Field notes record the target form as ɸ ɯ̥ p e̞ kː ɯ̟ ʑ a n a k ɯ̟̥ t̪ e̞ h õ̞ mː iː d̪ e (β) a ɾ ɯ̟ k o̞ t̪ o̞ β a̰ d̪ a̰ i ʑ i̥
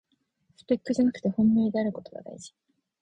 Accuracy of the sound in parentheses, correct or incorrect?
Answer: incorrect